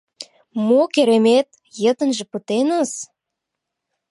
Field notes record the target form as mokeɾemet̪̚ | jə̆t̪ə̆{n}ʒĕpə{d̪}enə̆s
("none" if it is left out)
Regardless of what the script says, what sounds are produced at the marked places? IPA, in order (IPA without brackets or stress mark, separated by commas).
n, t̪